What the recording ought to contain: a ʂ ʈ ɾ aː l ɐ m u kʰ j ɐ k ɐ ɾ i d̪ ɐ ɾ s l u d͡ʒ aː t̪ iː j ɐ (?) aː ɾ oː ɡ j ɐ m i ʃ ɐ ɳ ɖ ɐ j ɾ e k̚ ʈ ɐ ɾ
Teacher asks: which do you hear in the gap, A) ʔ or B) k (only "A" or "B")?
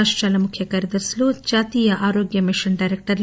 A